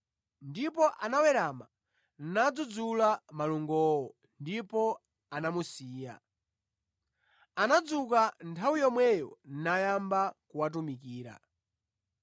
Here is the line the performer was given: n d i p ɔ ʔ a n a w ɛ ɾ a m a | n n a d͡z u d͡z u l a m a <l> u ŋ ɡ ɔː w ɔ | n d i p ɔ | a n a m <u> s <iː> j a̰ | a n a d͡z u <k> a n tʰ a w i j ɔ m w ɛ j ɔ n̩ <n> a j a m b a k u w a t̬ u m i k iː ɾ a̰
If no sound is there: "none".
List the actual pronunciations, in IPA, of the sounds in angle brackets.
l, u, iː, k, n

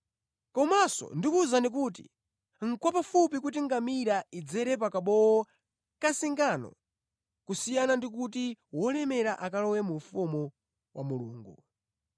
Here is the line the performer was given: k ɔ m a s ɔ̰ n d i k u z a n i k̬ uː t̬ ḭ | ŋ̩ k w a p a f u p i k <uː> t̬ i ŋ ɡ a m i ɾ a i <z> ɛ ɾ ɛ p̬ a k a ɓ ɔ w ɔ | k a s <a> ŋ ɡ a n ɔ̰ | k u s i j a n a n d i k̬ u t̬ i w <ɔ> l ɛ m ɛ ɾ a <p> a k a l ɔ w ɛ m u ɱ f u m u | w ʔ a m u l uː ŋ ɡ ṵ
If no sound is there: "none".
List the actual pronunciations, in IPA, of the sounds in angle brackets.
u, d͡z, i, ɔ, ʔ

